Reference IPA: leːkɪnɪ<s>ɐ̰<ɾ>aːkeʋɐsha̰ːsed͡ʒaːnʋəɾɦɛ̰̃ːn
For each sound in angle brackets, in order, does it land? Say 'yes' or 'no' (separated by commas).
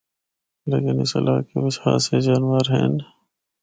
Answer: yes, no